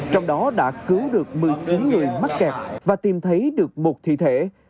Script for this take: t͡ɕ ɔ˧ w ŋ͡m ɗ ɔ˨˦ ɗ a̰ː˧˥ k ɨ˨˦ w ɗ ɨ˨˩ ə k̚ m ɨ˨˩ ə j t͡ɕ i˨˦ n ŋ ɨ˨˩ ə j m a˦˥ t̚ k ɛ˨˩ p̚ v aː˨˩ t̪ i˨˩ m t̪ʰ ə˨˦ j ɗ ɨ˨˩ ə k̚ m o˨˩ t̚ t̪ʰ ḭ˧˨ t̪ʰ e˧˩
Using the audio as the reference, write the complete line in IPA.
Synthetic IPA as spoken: t͡ɕ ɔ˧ w ŋ͡m ɗ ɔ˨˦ ɗ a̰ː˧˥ k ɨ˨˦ w ɗ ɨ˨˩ ə k̚ m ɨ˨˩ ə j t͡ɕ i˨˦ n ŋ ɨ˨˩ ə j m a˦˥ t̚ k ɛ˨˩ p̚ v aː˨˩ t̪ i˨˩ m t̪ʰ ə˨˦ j ɗ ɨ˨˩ ə k̚ m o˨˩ t̚ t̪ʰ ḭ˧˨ t̪ʰ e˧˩

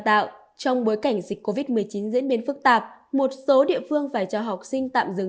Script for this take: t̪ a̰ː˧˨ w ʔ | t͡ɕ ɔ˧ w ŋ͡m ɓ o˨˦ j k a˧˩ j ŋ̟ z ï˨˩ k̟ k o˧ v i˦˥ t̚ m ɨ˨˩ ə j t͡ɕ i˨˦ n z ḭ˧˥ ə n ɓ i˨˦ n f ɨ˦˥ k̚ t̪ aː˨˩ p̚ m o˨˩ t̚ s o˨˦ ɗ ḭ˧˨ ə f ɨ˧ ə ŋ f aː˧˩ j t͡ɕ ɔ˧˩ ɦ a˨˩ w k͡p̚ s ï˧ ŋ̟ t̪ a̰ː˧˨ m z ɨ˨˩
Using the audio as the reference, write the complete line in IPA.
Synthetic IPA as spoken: t̪ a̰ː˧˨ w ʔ | t͡ɕ ɔ˧ w ŋ͡m ɓ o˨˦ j k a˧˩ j ŋ̟ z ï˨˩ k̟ k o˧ v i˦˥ t̚ m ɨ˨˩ ə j t͡ɕ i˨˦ n z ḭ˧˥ ə n ɓ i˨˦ n f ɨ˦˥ k̚ t̪ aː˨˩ p̚ m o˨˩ t̚ s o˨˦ ɗ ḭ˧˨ ə f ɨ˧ ə ŋ f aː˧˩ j t͡ɕ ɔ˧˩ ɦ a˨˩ w k͡p̚ s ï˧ ŋ̟ t̪ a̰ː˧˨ m z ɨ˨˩

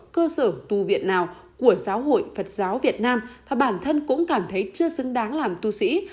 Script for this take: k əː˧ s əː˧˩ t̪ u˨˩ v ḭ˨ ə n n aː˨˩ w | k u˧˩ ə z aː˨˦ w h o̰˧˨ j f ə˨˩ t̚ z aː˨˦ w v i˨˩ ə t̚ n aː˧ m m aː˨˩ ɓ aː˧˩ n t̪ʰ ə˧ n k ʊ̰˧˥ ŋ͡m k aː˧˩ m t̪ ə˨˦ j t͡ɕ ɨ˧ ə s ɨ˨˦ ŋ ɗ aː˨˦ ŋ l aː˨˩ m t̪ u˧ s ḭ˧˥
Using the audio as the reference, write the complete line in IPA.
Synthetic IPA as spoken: k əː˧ s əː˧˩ t̪ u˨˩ v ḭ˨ ə n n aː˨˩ w | k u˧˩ ə z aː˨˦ w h o̰˧˨ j f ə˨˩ t̚ z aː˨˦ w v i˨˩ ə t̚ n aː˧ m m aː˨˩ ɓ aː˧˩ n t̪ʰ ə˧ n k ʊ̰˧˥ ŋ͡m k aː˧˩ m t̪ʰ ə˨˦ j t͡ɕ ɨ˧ ə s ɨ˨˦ ŋ ɗ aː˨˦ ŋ l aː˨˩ m t̪ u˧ s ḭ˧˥

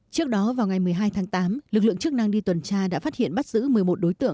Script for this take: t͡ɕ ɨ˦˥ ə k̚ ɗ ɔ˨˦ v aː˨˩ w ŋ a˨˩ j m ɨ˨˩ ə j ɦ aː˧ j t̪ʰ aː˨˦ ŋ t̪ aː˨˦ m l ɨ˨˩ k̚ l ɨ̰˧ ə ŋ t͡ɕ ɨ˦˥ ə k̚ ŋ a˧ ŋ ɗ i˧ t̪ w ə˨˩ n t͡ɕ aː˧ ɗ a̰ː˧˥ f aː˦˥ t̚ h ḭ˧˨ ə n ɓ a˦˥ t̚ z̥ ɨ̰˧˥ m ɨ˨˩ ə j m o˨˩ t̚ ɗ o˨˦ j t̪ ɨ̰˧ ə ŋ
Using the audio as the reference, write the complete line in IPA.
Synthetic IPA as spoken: t͡ɕ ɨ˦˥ ə k̚ ɗ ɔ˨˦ v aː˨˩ w ŋ a˨˩ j m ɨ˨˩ ə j ɦ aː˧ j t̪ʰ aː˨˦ ŋ t̪ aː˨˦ m l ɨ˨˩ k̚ l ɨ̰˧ ə ŋ t͡ɕ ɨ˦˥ ə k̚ n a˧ ŋ ɗ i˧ t̪ w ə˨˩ n t͡ɕ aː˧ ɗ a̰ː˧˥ f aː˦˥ t̚ h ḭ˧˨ ə n ɓ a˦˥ t̚ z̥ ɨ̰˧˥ m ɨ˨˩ ə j m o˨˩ t̚ ɗ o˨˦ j t̪ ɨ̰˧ ə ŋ

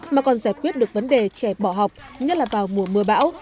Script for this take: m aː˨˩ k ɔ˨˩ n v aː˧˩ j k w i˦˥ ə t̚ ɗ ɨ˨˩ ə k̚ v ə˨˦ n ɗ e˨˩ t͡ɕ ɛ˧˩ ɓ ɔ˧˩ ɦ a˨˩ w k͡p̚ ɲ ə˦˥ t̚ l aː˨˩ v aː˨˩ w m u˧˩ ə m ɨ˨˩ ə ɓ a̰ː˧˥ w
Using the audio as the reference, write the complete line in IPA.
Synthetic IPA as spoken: m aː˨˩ k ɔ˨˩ n z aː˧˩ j k w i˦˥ ə t̚ ɗ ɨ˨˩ ə k̚ v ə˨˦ n ɗ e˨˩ t͡ɕ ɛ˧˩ ɓ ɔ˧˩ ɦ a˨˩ w k͡p̚ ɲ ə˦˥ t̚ l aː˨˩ v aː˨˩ w m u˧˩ ə m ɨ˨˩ ə ɓ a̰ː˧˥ w

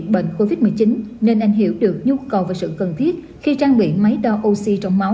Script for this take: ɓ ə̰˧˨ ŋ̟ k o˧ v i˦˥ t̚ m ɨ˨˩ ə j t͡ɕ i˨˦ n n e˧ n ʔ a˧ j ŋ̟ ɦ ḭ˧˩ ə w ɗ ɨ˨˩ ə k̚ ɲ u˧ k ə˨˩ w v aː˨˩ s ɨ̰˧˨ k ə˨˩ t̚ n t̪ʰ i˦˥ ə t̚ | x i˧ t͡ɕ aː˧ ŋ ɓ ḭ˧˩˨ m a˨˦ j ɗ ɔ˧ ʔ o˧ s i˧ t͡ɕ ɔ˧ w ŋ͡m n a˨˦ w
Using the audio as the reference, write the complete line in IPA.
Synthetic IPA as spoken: ɓ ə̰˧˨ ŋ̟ k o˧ v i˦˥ t̚ m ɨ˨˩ ə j t͡ɕ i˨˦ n n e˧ n ʔ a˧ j ŋ̟ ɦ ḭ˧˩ ə w ɗ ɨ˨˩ ə k̚ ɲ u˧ k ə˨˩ w v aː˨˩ s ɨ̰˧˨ k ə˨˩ n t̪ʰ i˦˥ ə t̚ | x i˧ t͡ɕ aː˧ ŋ ɓ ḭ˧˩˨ m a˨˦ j ɗ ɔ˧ ʔ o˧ s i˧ t͡ɕ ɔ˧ w ŋ͡m m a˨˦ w

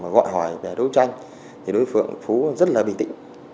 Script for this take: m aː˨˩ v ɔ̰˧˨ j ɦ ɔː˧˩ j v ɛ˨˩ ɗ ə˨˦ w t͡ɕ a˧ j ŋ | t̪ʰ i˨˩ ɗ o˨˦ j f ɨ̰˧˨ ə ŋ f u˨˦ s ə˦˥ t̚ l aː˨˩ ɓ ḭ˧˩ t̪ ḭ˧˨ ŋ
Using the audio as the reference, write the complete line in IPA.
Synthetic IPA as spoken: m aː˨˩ ɣ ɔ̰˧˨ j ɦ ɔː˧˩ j v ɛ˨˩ ɗ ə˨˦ w t͡ɕ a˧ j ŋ | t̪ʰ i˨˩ ɗ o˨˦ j f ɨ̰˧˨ ə ŋ f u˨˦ z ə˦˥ t̚ l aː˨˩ ɓ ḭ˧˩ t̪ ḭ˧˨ ŋ

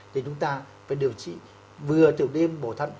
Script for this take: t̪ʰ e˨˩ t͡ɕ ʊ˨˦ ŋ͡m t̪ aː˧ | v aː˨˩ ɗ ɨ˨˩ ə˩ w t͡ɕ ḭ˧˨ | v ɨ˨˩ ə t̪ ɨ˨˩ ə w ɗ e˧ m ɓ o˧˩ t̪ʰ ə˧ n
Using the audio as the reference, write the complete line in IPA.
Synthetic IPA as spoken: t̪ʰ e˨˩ t͡ɕ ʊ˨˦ ŋ͡m t̪ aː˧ | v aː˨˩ ɗ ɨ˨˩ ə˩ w t͡ɕ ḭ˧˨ | v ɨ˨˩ ə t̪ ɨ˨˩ ə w ɗ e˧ m ɓ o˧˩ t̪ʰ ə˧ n

